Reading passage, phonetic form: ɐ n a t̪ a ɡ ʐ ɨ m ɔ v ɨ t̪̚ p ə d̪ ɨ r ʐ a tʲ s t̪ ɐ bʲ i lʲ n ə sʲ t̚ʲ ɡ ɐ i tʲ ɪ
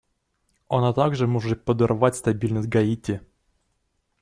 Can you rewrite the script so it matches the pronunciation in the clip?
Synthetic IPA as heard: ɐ n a t̪ a ɡ ʐ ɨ m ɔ ʐ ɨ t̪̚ p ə d̪ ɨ r v a tʲ s t̪ ɐ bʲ i lʲ n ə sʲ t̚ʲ ɡ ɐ i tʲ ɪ